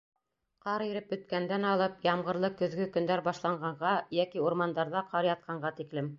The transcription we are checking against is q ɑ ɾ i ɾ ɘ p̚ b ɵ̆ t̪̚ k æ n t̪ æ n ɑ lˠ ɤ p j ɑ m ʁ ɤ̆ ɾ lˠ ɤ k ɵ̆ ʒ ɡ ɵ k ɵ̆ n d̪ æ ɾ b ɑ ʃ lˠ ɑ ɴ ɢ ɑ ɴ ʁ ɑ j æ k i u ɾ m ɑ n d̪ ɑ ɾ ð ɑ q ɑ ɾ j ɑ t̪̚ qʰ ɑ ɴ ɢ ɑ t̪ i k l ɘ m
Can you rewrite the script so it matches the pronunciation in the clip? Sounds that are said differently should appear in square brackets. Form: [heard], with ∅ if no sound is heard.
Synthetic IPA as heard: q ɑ ɾ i ɾ ɘ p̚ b ɵ̆ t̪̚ k æ n [d̪] æ n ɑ lˠ ɤ p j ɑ m ʁ ɤ̆ ɾ lˠ ɤ k ɵ̆ [ð] ɡ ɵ k ɵ̆ n d̪ æ ɾ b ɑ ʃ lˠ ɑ ɴ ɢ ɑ ɴ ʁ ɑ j æ k i u ɾ m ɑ n d̪ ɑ ɾ ð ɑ q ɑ ɾ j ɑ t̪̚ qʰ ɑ ɴ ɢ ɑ t̪ i k l ɘ m